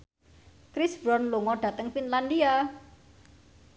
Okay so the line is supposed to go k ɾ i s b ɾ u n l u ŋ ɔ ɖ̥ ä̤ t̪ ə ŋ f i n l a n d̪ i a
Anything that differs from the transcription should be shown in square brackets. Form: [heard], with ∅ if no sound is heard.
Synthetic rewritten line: k ɾ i s b ɾ [ɔ] n l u ŋ ɔ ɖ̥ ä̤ t̪ ə ŋ f i n l a n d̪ i a